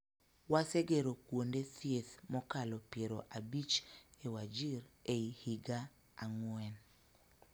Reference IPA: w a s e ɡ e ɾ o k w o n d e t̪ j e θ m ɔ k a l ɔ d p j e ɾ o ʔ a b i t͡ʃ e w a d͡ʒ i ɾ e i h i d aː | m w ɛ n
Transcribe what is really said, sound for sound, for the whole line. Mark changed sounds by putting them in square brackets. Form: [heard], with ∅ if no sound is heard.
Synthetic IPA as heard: w a s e ɡ e ɾ o k w o n d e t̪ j e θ m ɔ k a l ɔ [∅] p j e ɾ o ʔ a b i t͡ʃ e w a d͡ʒ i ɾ e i h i [ɡ] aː | [ŋ] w ɛ n